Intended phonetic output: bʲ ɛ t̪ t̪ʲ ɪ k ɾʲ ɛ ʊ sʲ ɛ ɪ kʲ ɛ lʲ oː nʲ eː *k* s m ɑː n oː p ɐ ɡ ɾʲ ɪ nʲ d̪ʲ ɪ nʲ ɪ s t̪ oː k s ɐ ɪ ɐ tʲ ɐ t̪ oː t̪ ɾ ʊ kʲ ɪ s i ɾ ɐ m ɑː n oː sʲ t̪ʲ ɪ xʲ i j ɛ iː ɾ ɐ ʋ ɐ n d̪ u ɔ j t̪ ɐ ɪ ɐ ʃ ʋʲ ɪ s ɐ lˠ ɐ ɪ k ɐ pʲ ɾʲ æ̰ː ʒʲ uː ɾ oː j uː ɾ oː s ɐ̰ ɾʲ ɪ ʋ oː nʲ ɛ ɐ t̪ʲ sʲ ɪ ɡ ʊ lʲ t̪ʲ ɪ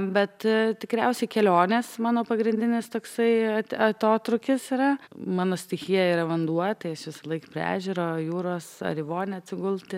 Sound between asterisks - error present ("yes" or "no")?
yes